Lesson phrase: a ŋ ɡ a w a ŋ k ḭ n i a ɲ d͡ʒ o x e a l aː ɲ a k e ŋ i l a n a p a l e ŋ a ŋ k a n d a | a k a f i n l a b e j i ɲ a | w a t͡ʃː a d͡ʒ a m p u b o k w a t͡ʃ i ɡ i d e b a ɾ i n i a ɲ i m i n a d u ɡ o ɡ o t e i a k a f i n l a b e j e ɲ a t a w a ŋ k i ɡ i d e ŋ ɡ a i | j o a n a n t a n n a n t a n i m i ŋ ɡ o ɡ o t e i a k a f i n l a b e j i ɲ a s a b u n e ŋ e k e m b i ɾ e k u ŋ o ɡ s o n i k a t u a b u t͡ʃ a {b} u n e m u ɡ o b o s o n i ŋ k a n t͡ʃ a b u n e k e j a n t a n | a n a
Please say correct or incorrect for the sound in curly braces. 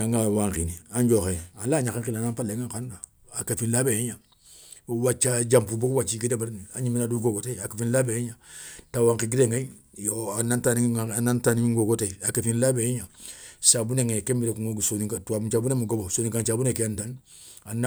correct